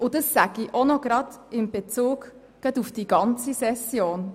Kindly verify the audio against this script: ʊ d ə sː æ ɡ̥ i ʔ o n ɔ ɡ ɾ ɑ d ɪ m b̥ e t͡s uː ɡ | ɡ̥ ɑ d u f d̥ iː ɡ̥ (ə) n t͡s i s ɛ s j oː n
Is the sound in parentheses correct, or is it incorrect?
incorrect